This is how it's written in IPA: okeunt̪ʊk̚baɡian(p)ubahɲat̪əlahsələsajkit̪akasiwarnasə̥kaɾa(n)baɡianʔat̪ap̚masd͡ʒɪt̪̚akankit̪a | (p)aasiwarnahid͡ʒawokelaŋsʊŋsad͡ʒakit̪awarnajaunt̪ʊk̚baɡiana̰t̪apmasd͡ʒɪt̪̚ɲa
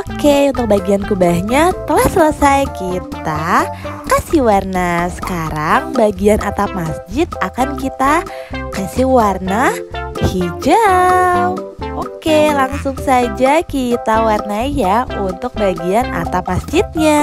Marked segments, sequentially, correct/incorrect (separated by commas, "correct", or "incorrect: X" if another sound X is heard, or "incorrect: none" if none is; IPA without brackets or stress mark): incorrect: k, incorrect: ŋ, incorrect: k